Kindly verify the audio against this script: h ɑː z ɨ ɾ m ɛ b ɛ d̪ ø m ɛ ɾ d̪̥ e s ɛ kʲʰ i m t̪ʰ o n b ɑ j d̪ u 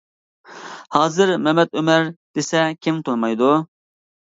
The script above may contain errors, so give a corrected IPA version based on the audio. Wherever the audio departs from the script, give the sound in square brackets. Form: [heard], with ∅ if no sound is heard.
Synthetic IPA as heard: h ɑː z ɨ ɾ m ɛ [m] ɛ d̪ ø m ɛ ɾ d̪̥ e s ɛ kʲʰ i m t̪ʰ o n [m] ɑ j d̪ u